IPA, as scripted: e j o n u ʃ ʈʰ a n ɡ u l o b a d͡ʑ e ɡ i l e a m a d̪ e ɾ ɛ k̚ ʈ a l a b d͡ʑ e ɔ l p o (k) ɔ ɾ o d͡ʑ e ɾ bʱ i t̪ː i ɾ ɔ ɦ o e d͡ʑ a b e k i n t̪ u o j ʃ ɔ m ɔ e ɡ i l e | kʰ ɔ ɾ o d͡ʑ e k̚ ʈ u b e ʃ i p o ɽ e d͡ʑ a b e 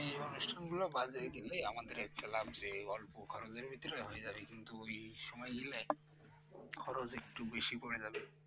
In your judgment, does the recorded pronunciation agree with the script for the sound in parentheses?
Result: no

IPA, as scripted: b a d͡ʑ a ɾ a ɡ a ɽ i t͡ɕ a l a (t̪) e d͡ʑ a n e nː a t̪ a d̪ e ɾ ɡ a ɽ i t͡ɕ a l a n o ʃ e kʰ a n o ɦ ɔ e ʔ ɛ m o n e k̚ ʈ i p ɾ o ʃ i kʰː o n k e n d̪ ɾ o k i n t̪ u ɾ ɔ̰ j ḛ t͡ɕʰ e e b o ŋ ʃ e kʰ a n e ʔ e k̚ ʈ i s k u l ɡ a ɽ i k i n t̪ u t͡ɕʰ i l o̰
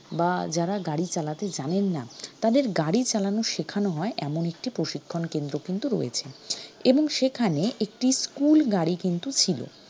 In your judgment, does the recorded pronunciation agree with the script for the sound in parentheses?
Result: yes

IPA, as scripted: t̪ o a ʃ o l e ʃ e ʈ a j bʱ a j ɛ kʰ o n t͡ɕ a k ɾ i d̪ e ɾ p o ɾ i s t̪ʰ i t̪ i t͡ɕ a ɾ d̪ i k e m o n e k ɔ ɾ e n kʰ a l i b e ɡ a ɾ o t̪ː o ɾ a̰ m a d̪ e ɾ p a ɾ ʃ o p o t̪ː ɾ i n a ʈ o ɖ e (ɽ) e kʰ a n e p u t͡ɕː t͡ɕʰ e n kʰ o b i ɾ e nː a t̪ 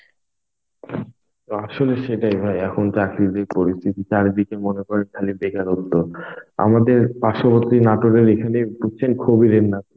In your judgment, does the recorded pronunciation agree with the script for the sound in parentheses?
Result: no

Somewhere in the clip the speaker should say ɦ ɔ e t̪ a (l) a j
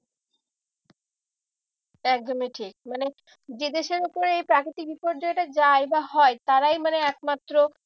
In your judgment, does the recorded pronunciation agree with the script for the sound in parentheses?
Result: no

